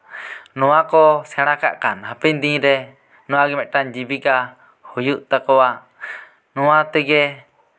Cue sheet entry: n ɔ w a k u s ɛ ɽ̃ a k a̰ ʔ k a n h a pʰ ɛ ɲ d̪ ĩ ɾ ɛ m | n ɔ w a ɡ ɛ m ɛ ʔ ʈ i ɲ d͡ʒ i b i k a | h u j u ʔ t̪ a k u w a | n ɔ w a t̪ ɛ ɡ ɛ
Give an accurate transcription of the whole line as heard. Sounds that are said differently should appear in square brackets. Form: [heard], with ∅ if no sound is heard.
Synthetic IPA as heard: n ɔ w a k [ɔ] s ɛ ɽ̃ a k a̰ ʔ k a n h a [p] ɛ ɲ d̪ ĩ ɾ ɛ [∅] | n ɔ w a ɡ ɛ m ɛ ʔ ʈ [a] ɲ d͡ʒ i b i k a | h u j u ʔ t̪ a k [ɔ] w a | n ɔ w a t̪ ɛ ɡ ɛ